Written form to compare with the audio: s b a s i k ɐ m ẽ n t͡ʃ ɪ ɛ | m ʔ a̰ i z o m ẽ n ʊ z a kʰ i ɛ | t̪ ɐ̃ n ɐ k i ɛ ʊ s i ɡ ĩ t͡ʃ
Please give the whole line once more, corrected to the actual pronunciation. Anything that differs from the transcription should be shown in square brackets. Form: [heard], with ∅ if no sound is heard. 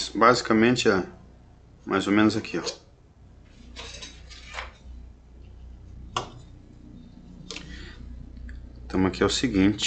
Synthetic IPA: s b a [z] i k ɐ m ẽ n t͡ʃ ɪ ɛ | m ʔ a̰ [j] z o m ẽ n ʊ z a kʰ i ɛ | t̪ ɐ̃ [m] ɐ k i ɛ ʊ s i ɡ ĩ t͡ʃ